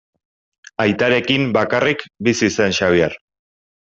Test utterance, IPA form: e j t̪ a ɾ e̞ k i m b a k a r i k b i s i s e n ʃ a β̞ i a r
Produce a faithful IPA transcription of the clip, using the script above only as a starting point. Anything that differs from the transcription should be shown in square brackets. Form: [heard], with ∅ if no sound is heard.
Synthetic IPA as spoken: [a] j t̪ a ɾ e̞ k i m b a k a r i k b i s i s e n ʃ a β̞ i a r